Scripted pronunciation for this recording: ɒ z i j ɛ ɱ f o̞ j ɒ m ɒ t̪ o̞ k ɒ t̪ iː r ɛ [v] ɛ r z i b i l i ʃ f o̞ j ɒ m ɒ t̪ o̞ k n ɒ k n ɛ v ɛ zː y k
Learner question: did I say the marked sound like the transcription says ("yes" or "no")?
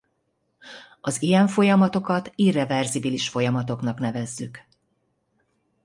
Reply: yes